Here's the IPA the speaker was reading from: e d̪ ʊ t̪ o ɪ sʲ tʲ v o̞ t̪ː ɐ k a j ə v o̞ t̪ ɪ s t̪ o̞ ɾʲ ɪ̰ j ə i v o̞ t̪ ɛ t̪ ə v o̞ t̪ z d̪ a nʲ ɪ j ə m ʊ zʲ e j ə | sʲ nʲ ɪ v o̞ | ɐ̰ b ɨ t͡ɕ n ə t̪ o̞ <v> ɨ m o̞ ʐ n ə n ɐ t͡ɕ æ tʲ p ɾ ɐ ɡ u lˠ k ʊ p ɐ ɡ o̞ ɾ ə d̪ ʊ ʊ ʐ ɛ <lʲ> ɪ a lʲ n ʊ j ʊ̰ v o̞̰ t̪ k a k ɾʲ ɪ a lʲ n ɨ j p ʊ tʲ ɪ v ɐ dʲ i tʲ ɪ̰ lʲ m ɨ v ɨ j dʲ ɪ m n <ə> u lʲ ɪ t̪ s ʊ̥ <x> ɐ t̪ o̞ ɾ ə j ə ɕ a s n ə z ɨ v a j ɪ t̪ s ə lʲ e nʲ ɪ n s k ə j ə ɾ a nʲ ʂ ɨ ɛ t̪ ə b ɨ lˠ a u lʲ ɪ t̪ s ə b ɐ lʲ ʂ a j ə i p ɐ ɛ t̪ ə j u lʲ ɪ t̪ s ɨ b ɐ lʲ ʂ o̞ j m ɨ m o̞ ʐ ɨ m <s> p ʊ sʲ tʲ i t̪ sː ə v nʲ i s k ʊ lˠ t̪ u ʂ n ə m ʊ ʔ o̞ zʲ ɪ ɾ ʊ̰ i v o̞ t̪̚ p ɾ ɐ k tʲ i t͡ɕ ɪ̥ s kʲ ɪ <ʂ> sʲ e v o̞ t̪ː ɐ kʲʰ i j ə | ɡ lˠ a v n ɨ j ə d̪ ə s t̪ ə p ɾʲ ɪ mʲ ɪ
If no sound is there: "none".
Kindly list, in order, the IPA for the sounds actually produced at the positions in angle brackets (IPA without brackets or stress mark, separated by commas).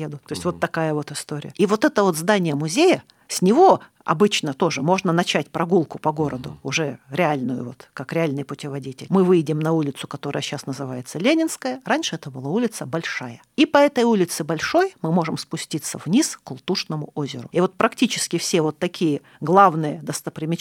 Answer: ʐ, ɾʲ, ɐ, k, s, f